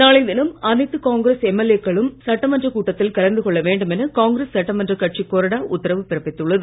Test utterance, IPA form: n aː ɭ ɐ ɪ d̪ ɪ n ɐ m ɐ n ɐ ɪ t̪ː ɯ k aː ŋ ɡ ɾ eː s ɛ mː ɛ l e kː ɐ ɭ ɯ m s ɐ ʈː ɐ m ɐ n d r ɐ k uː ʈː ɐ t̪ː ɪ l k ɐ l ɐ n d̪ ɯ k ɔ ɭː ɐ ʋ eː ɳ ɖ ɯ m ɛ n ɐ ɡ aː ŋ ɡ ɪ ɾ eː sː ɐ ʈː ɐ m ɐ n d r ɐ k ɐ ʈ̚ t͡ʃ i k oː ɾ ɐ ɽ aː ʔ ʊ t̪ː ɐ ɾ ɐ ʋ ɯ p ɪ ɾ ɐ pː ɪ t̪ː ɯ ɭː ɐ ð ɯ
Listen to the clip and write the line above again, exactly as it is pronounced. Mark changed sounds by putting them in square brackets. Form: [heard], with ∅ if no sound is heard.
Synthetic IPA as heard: n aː ɭ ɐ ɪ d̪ ɪ n ɐ m ɐ n ɐ ɪ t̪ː ɯ k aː ŋ ɡ ɾ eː s ɛ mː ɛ l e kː ɐ ɭ ɯ m s ɐ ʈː ɐ m ɐ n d r ɐ k uː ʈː ɐ t̪ː ɪ l k ɐ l ɐ n d̪ ɯ k ɔ ɭː ɐ ʋ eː ɳ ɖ ɯ m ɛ n ɐ [k] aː ŋ ɡ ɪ ɾ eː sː ɐ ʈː ɐ m ɐ n d r ɐ k ɐ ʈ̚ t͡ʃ i k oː ɾ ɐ ɽ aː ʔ ʊ t̪ː ɐ ɾ ɐ ʋ ɯ p ɪ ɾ ɐ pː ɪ t̪ː ɯ ɭː ɐ ð ɯ